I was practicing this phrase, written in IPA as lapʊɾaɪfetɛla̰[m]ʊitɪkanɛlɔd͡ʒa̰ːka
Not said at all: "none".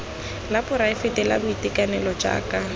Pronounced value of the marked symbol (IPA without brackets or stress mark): b